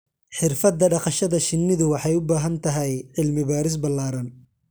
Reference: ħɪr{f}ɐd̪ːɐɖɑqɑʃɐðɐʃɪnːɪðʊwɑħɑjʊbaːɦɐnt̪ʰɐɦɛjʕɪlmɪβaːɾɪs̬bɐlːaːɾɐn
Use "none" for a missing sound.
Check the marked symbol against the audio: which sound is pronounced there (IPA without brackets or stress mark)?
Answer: f